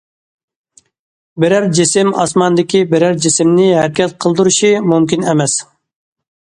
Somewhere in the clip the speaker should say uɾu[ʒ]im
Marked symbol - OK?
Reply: no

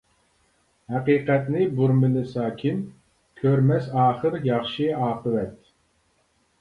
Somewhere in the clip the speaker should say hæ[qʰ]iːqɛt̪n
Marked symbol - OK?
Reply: no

